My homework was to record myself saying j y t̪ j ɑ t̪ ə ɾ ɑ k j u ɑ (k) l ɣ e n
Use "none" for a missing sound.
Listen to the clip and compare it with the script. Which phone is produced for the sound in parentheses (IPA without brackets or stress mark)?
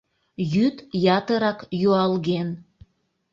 none